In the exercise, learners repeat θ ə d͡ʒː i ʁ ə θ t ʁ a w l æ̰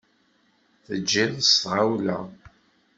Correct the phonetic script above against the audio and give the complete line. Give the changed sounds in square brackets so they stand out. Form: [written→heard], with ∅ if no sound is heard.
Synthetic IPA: θ ə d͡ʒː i [ʁ→ð] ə [θ→s] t ʁ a w l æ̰